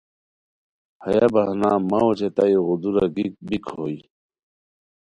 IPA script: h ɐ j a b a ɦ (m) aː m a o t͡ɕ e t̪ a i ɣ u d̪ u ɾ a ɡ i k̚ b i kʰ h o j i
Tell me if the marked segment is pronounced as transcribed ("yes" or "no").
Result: no